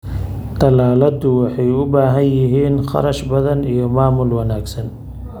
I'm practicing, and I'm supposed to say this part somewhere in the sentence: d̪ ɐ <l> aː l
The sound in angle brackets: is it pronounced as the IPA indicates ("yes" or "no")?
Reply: yes